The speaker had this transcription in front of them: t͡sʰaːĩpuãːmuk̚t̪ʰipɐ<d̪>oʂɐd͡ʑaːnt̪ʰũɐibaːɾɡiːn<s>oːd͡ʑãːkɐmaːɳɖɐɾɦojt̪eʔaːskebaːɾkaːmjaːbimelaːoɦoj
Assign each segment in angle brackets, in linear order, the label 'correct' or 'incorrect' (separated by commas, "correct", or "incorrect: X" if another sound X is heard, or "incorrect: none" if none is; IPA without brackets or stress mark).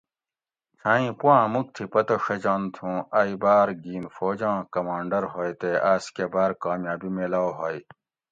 incorrect: t̪, incorrect: f